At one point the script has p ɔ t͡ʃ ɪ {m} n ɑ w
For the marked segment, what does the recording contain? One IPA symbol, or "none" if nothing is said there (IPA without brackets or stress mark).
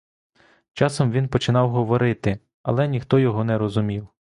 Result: none